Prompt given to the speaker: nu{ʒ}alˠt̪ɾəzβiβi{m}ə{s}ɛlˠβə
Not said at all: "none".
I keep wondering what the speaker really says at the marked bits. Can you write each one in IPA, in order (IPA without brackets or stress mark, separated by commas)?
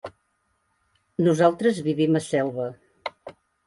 z, m, s